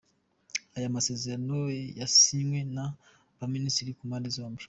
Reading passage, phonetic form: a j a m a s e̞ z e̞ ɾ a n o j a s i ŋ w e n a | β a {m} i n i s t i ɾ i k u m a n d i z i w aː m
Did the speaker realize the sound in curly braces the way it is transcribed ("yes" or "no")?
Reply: yes